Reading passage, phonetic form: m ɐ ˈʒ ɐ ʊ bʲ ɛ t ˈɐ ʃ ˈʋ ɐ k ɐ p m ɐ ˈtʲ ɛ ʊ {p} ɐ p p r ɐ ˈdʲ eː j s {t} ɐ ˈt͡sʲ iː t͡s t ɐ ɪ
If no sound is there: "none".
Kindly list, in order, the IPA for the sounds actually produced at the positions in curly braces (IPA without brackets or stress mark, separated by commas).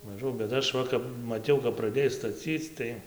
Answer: k, t